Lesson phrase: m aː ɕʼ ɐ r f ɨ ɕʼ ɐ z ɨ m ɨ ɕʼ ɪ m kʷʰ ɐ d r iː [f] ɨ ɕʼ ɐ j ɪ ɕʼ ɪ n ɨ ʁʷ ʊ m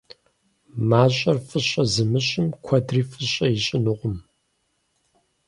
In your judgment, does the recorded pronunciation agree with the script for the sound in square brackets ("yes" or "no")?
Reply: yes